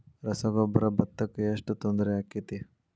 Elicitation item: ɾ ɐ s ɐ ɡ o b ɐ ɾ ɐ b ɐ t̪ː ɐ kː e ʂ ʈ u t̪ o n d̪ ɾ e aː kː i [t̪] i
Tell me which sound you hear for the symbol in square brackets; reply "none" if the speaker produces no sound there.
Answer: t̪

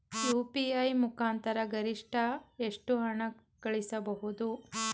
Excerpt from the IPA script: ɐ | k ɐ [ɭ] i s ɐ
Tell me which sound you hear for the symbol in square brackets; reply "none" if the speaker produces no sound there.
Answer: ɭ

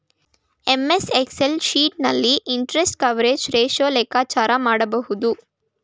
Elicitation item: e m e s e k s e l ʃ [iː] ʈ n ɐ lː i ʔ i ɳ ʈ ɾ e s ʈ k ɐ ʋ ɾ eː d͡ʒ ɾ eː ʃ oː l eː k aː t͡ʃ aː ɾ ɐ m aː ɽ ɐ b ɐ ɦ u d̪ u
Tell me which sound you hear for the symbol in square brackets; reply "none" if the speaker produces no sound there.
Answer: iː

